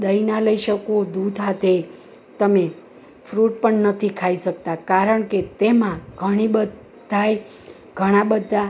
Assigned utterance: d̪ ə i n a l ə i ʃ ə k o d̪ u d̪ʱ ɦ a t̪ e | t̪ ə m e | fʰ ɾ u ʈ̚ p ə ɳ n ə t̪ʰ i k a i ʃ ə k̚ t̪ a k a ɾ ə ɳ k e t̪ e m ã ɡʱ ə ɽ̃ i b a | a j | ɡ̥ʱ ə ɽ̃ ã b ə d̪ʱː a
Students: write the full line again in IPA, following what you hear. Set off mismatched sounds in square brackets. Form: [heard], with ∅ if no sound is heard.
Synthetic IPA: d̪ ə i n a l ə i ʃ ə k o d̪ u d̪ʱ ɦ a t̪ e | t̪ ə m e | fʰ ɾ u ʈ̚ p ə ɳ n ə t̪ʰ i [kʰ] a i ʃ ə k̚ t̪ a k a ɾ ə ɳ k e t̪ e m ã ɡʱ ə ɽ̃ i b [ə] | a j | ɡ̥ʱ ə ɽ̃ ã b ə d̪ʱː a